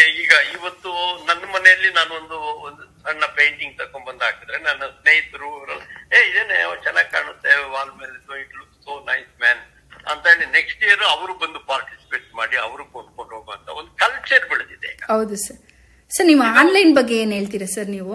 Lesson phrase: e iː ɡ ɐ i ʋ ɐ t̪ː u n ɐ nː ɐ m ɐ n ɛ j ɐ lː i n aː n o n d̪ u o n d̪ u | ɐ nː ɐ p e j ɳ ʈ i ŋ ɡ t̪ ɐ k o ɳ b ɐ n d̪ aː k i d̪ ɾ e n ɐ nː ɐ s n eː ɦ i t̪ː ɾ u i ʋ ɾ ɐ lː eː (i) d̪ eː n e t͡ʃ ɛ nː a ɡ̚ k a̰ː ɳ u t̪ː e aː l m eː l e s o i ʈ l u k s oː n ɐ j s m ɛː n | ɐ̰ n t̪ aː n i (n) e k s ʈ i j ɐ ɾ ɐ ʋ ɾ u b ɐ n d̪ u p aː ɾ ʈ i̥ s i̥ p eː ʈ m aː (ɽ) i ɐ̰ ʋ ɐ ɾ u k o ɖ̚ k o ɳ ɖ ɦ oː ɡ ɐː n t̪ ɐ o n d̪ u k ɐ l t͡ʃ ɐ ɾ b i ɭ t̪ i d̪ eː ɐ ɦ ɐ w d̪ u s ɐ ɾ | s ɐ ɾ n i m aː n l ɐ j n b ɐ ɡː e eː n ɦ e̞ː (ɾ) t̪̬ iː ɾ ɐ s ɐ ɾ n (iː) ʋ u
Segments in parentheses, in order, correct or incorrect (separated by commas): correct, correct, correct, incorrect, correct